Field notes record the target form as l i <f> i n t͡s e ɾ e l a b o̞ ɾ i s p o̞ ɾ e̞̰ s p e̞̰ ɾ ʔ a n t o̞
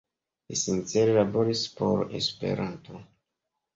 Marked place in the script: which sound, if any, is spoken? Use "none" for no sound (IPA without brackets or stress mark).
s